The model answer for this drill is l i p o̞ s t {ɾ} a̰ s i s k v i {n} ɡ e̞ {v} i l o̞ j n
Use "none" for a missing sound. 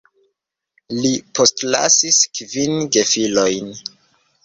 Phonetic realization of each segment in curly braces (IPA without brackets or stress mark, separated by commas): l, n, f